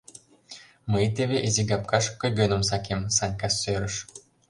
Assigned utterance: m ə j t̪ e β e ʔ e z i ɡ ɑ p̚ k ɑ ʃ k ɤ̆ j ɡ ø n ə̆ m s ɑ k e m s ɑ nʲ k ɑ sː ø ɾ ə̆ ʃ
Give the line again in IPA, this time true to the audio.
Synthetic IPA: m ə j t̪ e β e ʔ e z i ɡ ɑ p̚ k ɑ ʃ k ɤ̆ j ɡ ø n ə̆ m s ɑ k e m s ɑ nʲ k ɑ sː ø ɾ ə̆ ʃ

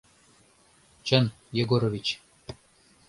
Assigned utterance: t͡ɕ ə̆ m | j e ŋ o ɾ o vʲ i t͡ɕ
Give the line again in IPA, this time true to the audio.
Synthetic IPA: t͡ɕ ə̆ n | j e ɡ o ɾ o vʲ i t͡ɕ

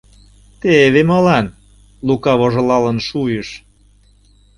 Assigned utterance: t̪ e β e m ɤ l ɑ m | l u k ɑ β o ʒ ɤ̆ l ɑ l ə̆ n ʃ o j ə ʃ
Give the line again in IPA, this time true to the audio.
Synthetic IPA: t̪ e β e m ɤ l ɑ n | l u k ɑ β o ʒ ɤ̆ l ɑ l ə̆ n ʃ u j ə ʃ

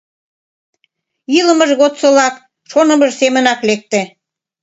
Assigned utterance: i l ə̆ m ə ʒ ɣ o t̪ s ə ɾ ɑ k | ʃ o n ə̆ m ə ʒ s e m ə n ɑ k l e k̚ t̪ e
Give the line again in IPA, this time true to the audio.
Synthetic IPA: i l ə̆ m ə ʒ ɣ o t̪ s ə l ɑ k | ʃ o n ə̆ m ə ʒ s e m ə n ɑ k l e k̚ t̪ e

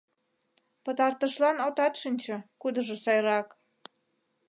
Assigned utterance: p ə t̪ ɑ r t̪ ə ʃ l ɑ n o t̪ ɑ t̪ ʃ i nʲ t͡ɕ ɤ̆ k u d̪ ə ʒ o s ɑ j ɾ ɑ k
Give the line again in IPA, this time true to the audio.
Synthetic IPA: p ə t̪ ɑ r t̪ ə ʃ l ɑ n o t̪ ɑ t̪ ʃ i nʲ t͡ɕ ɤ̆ k u d̪ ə ʒ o s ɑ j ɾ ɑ k

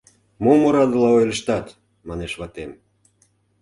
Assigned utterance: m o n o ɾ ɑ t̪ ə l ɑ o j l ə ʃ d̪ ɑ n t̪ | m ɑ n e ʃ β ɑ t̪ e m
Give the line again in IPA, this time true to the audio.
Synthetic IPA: m o m o ɾ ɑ d̪ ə l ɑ o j l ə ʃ t̪ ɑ t̪ | m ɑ n e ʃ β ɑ t̪ e m

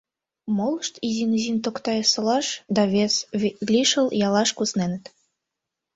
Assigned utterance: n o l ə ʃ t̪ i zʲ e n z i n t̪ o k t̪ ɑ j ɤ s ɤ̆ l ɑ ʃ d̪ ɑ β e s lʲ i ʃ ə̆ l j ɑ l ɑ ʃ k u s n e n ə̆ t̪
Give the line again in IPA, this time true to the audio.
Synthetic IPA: m o l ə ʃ t̪ i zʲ i n z i n t̪ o k t̪ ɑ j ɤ s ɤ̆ l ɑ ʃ d̪ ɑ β e s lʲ i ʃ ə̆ l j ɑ l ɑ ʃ k u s n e n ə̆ t̪

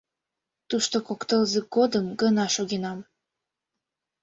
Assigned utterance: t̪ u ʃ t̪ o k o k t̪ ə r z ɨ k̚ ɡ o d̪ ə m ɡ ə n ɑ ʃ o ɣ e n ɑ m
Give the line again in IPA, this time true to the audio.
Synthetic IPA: t̪ u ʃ t̪ o k o k t̪ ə l z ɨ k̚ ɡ o d̪ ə m ɡ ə n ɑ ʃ o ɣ e n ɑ m

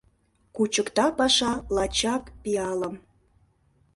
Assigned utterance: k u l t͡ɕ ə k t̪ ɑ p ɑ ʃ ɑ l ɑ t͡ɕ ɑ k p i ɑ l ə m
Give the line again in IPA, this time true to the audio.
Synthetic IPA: k u t͡ɕ ə k t̪ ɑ p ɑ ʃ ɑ l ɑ t͡ɕ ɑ k p i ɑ l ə m

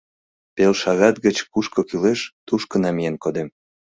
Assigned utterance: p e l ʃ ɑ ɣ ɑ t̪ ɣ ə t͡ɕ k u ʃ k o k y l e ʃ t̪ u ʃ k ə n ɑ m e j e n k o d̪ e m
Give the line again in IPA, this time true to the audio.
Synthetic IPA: p e l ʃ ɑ ɣ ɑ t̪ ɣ ə t͡ɕ k u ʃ k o k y l e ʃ t̪ u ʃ k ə n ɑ m i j e n k o d̪ e m

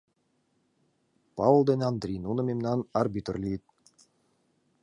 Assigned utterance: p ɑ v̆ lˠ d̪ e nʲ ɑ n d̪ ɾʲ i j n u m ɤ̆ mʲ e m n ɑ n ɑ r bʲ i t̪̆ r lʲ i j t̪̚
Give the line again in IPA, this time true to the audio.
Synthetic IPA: p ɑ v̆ lˠ d̪ e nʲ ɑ n d̪ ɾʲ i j n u n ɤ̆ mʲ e m n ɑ n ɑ r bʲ i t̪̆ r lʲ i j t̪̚

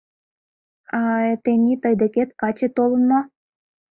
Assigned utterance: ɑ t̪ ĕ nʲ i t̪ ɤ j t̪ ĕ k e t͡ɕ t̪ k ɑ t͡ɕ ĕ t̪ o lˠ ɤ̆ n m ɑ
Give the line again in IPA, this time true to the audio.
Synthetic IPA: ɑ t̪ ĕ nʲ i t̪ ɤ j d̪ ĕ k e t̪ k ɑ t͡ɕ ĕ t̪ o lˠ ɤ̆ n m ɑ

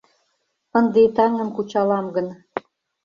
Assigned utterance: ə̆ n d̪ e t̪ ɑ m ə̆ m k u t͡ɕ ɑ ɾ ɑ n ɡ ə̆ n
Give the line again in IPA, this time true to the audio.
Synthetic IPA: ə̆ n d̪ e t̪ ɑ ŋ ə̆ m k u t͡ɕ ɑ l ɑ m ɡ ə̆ n

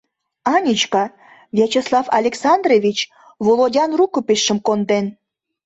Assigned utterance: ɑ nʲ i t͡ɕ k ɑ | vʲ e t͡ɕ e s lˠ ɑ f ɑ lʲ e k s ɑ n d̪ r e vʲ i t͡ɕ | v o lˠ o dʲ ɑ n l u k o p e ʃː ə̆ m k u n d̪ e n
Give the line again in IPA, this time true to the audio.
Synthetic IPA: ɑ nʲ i t͡ɕ k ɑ | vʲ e t͡ɕ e s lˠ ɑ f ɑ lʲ e k s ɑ n d̪ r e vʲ i t͡ɕ | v o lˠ o dʲ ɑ n r u k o p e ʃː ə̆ m k o n d̪ e n

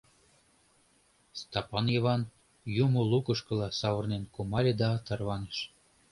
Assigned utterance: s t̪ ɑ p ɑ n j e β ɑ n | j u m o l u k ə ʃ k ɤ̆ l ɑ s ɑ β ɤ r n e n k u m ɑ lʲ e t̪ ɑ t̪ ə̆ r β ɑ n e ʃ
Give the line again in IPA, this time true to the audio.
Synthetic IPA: s t̪ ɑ p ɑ n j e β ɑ n | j u m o l u k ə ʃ k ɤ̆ l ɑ s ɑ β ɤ r n e n k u m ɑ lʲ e d̪ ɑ t̪ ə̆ r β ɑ n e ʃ

